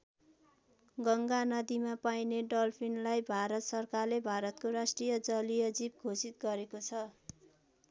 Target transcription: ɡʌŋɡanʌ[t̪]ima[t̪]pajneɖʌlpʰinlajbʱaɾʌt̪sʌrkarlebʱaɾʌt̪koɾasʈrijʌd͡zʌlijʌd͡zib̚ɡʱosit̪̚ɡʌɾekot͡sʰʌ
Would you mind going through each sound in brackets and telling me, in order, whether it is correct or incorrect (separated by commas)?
incorrect, incorrect